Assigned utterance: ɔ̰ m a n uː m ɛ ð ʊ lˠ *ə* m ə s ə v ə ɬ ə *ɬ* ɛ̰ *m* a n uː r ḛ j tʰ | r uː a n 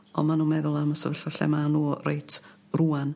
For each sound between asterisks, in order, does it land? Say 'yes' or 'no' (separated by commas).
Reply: no, yes, yes